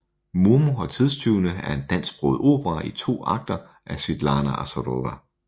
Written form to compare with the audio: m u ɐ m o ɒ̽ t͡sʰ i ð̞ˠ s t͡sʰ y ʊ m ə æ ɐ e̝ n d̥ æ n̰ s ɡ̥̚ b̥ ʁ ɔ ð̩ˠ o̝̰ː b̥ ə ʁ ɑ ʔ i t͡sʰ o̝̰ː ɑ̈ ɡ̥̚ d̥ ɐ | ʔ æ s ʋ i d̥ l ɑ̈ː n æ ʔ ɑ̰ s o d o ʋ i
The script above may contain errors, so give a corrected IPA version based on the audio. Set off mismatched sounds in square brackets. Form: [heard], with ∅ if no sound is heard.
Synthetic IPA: m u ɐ m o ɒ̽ t͡sʰ i ð̞ˠ s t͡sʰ y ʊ [n] ə æ ɐ e̝ n d̥ æ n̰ s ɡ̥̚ b̥ ʁ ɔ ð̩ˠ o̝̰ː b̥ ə ʁ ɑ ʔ i t͡sʰ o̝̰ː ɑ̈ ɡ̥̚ d̥ ɐ | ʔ æ s ʋ i d̥ l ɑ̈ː n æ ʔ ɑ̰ s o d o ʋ [æ]